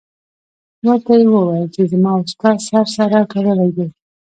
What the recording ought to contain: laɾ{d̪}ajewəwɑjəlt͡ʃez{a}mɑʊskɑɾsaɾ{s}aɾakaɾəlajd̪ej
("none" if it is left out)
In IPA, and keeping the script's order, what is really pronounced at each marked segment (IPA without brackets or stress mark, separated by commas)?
t̪, ə, s